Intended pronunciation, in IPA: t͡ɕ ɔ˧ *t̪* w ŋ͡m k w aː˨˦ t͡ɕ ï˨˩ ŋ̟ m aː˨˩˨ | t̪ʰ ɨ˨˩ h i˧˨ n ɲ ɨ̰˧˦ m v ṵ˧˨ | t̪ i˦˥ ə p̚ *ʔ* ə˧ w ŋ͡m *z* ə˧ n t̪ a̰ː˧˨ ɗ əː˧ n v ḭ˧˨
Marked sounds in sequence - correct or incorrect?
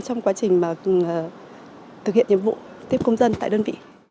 incorrect: none, incorrect: k, correct

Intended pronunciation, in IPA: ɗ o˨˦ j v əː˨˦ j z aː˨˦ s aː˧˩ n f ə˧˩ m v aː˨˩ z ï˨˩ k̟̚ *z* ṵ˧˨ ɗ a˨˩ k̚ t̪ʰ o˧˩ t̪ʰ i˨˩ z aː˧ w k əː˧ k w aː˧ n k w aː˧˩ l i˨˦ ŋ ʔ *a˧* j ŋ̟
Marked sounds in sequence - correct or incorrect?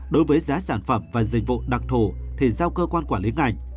incorrect: v, incorrect: a˨˩

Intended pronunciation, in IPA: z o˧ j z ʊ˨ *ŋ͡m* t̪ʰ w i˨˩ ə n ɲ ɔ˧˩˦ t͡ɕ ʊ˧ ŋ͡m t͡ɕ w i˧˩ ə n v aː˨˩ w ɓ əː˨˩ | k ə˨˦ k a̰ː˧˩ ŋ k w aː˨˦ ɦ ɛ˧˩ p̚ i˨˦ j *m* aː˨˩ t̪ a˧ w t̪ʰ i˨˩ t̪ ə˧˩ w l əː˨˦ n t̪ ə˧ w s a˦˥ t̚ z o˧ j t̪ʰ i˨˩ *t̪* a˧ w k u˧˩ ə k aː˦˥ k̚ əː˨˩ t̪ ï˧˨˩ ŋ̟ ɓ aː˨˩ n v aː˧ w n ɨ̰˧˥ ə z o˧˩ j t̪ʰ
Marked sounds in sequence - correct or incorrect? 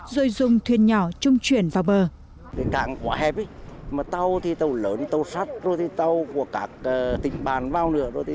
correct, correct, correct

